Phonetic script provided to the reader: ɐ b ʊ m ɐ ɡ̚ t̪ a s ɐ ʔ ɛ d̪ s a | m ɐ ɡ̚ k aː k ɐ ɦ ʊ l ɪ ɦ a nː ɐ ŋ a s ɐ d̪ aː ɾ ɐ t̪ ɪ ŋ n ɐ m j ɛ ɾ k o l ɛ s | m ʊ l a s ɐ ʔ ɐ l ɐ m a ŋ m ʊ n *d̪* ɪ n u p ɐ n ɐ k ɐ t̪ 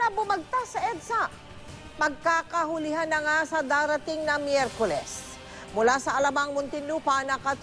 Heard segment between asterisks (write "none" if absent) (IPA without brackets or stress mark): t̪